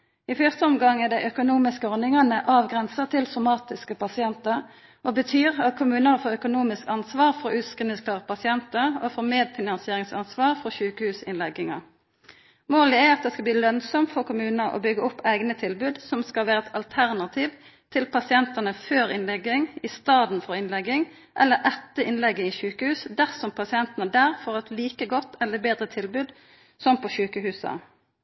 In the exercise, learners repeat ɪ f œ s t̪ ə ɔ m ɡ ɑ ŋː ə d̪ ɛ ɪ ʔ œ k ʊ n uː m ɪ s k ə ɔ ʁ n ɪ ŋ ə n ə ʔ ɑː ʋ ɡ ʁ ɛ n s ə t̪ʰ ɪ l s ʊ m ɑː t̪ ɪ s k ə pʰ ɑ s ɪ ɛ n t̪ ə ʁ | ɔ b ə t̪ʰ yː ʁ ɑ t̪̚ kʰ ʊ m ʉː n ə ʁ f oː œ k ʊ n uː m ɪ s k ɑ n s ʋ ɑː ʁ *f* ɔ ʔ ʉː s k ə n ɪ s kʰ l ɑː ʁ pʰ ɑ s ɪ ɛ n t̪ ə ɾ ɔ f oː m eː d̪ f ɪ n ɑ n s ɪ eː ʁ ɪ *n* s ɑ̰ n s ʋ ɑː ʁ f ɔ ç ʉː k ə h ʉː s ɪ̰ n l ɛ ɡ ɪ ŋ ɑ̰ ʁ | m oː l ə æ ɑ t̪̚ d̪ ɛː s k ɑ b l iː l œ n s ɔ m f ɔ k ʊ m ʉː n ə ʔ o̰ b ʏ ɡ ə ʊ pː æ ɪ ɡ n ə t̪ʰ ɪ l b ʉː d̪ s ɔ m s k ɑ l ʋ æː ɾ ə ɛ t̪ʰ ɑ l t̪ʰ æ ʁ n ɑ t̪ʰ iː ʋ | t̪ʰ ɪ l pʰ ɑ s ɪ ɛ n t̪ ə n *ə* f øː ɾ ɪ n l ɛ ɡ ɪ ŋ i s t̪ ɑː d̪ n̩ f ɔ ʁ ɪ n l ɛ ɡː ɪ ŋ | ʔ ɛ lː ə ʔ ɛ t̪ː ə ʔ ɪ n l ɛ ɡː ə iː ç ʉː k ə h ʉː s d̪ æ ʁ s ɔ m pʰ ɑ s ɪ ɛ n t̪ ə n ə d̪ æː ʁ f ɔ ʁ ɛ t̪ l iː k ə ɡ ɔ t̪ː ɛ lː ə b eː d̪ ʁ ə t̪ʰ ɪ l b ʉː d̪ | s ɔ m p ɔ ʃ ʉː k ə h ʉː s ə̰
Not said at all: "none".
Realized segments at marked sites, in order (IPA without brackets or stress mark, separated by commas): f, ŋ, ə